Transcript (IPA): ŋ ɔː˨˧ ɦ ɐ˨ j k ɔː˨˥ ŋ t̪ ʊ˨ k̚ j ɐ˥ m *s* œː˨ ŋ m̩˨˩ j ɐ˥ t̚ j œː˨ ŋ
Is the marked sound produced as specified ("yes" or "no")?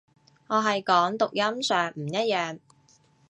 yes